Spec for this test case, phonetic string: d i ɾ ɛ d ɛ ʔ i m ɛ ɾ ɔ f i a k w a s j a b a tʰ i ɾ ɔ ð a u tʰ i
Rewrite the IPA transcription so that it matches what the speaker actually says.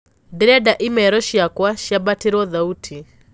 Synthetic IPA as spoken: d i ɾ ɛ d a ʔ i m ɛ ɾ ɔ ʃ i a k w a ʃ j a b a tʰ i ɾ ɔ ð a u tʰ i